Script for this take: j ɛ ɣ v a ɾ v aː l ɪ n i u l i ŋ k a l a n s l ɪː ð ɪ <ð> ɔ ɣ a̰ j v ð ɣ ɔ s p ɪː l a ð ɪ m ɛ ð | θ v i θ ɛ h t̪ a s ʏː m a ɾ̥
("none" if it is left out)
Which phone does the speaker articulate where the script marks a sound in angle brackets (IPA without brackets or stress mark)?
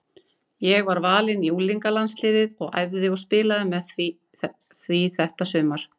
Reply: ð